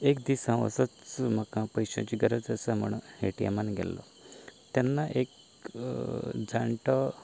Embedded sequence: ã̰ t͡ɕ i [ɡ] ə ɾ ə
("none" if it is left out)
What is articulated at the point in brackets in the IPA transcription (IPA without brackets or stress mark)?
ɡ